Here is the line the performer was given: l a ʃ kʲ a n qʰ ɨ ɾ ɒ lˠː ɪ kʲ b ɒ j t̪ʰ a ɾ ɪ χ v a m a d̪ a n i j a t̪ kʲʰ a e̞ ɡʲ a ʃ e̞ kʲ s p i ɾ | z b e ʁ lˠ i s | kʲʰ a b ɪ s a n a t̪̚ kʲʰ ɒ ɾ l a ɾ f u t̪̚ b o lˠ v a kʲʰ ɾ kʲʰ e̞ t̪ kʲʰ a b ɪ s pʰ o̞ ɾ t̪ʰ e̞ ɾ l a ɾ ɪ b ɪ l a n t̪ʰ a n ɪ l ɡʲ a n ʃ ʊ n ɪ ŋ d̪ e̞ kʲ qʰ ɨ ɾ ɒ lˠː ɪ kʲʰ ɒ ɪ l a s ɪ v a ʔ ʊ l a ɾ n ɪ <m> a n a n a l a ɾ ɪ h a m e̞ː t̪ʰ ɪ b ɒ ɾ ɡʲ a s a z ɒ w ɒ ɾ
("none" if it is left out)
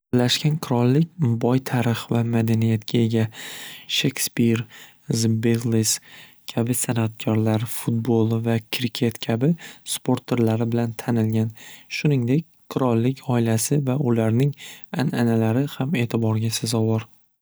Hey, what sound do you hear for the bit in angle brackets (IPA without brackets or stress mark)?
ŋ